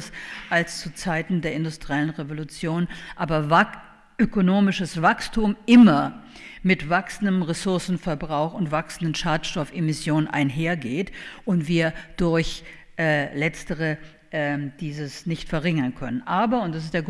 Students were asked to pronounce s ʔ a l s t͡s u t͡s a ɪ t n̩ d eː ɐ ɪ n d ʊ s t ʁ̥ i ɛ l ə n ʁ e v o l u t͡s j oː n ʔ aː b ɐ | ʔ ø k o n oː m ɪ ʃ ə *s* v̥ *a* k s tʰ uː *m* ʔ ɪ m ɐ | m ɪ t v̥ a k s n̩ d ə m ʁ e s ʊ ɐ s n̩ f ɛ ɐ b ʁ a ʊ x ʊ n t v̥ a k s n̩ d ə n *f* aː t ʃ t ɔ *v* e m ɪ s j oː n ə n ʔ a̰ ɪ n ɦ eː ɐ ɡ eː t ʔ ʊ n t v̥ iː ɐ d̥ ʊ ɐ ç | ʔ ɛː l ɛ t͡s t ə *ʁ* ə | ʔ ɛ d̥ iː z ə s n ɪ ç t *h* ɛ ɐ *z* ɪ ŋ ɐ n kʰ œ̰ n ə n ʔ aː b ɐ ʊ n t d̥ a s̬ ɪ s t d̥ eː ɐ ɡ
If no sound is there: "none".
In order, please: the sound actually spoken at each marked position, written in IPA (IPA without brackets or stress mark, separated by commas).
s, a, m, ʃ, f, ʁ, f, ʁ